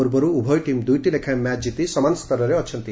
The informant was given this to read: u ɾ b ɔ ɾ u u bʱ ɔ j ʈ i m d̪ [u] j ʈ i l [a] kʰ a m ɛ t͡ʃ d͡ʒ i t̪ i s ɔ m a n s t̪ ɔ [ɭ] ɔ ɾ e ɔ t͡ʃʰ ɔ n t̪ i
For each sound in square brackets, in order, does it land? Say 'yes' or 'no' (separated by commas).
yes, no, no